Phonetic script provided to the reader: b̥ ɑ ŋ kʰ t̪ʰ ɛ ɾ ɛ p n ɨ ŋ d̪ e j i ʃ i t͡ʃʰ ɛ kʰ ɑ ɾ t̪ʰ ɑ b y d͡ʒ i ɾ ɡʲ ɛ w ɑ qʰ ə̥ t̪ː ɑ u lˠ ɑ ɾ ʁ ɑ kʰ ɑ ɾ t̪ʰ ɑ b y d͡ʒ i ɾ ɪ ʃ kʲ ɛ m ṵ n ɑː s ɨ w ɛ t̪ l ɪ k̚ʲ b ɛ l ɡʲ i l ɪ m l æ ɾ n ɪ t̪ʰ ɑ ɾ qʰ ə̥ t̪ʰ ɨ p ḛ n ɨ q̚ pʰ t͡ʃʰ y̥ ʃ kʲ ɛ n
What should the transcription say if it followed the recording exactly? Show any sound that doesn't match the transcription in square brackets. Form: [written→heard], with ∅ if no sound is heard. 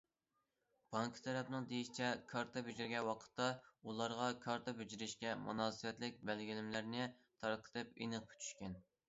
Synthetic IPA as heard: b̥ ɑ ŋ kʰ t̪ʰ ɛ ɾ ɛ p n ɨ ŋ d̪ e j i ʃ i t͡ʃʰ ɛ kʰ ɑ ɾ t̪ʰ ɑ b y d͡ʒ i ɾ ɡʲ ɛ w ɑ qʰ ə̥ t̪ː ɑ u lˠ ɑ ɾ ʁ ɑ kʰ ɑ ɾ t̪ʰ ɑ b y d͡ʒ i ɾ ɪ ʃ kʲ ɛ m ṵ n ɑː s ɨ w ɛ t̪ l ɪ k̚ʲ b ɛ l ɡʲ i l ɪ m l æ ɾ n ɪ t̪ʰ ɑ ɾ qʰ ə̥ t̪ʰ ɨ p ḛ n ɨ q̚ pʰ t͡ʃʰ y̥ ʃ kʲ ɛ n